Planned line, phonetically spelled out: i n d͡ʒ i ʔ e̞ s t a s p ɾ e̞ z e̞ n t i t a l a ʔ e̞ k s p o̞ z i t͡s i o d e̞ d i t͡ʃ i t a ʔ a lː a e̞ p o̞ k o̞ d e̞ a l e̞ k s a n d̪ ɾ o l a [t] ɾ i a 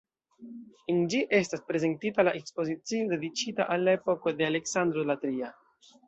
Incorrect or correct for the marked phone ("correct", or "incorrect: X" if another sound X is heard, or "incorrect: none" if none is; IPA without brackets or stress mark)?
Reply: correct